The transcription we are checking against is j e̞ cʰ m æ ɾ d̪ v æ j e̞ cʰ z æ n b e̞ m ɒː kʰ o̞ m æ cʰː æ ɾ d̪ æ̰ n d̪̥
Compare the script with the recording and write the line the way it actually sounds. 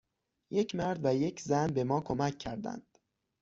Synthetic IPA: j e̞ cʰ m æ ɾ d̪ v æ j e̞ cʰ z æ n b e̞ m ɒː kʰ o̞ m æ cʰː æ ɾ d̪ æ̰ n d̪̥